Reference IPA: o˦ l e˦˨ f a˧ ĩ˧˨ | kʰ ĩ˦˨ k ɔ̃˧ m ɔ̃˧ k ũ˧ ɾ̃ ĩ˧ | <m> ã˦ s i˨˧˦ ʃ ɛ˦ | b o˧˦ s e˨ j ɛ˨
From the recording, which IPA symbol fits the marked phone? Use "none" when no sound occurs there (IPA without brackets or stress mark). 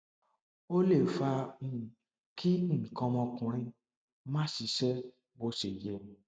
m